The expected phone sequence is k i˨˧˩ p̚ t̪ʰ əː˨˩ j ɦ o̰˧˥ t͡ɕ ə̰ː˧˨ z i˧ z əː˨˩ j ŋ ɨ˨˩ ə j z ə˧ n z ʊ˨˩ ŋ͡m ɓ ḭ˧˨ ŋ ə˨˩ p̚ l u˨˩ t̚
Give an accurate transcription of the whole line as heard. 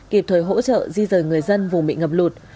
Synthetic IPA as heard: k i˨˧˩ p̚ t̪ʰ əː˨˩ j ɦ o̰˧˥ t͡ɕ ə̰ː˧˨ z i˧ z əː˨˩ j ŋ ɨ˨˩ ə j z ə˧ n v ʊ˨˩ ŋ͡m ɓ ḭ˧˨ ŋ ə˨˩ p̚ l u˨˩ t̚